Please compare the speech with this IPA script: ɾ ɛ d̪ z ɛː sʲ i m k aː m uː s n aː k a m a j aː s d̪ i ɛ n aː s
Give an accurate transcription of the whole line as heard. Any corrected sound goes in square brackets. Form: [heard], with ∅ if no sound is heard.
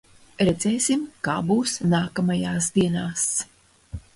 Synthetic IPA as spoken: ɾ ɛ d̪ z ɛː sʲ i m k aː [b] uː s n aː k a m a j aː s d̪ i ɛ n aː s